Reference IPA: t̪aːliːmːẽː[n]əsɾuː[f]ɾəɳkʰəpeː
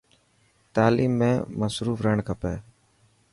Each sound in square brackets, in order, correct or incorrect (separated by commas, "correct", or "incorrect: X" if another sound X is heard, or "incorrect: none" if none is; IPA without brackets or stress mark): incorrect: m, correct